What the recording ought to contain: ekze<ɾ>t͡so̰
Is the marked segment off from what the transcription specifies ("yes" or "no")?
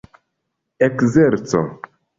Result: no